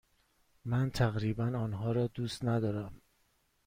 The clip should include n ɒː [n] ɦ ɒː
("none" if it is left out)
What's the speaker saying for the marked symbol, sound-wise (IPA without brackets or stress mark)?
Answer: n